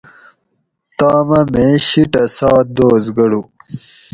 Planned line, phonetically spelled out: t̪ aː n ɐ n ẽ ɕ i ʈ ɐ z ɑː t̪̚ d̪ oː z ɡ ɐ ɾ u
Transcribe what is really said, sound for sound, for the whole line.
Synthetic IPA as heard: t̪ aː m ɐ m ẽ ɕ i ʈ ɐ s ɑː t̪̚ d̪ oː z ɡ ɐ ɽ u